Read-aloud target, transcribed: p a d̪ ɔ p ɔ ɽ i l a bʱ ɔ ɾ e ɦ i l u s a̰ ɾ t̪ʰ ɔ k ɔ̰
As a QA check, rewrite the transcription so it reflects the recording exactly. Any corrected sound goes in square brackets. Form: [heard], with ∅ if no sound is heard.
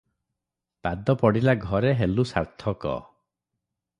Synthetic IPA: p a d̪ ɔ p ɔ ɽ i l a [ɡʱ] ɔ ɾ e ɦ [e] l u s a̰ ɾ t̪ʰ ɔ k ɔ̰